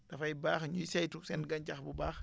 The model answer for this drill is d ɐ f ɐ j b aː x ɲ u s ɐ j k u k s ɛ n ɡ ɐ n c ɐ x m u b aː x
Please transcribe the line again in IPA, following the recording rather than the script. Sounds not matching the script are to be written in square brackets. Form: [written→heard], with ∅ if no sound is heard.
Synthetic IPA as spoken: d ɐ f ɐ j b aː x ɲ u s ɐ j [k→t] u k s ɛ n ɡ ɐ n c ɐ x [m→b] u b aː x